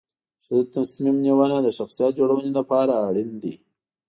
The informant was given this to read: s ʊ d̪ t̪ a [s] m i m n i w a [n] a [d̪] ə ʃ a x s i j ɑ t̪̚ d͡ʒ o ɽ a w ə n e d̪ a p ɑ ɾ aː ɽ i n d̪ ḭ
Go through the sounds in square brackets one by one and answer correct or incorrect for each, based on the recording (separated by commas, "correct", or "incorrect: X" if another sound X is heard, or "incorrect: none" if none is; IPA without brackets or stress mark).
correct, correct, correct